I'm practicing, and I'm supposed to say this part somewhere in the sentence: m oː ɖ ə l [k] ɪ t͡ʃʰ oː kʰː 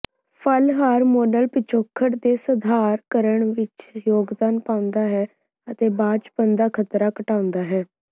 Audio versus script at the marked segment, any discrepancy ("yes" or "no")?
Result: yes